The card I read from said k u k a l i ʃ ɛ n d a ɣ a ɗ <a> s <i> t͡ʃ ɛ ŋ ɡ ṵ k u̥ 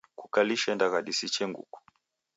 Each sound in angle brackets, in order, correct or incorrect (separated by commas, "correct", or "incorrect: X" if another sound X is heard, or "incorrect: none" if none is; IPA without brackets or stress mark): incorrect: i, correct